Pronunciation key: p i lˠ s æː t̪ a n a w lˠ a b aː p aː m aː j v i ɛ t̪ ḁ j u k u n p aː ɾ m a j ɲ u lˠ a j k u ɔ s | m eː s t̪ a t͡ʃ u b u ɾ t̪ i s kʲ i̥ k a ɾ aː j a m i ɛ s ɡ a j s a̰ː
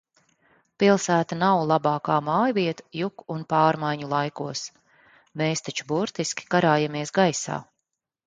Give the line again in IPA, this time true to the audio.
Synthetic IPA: p i lˠ s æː t̪ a n a w lˠ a b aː k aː m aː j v i ɛ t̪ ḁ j u k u n p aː ɾ m a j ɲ u lˠ a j k u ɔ s | m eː s t̪ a t͡ʃ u b u ɾ t̪ i s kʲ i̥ k a ɾ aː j a m i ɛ s ɡ a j s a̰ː